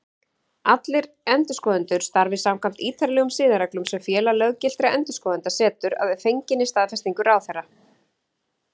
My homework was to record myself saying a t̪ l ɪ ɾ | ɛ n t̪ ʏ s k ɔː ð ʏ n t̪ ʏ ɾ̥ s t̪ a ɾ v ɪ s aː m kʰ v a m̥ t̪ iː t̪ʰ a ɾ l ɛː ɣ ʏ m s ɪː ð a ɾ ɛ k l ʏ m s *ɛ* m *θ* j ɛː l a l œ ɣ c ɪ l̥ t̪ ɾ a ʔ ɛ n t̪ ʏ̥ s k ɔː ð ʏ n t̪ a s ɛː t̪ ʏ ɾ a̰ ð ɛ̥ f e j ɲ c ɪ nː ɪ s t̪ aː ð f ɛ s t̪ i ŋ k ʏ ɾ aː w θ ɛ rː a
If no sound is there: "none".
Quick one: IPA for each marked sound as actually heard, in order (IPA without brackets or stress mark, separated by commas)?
ɛ, f